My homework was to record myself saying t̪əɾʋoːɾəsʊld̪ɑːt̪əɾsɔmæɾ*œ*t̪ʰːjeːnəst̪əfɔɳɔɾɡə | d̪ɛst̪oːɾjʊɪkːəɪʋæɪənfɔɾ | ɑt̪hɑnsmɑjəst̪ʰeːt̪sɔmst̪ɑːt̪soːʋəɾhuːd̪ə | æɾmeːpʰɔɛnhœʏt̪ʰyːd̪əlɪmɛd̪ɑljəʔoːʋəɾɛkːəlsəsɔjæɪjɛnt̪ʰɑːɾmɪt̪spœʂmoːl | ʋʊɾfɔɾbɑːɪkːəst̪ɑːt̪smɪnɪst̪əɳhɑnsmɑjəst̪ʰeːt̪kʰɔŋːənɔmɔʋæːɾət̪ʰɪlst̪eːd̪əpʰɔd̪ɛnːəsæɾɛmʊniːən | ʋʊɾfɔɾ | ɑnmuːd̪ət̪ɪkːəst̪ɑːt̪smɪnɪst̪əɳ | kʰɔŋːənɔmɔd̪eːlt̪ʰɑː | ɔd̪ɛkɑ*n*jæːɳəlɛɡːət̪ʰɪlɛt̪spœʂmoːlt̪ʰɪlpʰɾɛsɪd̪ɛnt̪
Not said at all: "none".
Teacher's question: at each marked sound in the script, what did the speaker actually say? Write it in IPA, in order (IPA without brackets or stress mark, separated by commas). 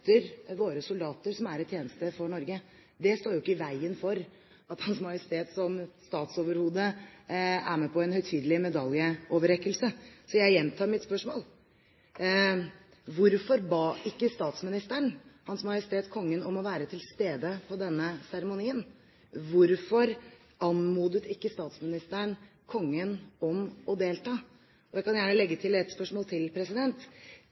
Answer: ɛ, n